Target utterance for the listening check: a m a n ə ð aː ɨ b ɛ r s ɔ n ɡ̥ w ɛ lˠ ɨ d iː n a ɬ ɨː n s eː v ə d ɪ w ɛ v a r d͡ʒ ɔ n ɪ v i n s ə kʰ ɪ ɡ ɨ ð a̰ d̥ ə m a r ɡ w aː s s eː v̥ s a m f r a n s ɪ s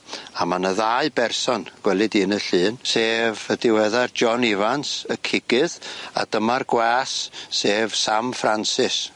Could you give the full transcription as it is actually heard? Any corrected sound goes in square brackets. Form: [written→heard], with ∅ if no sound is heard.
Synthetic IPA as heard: a m a n ə ð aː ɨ b ɛ r s ɔ n ɡ̥ w ɛ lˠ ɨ d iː n [a→ə] ɬ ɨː n s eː v ə d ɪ w ɛ [v→ð] a r d͡ʒ ɔ n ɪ v [i→a] n s ə kʰ ɪ ɡ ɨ ð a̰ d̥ ə m a r ɡ w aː s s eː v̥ s a m f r a n s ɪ s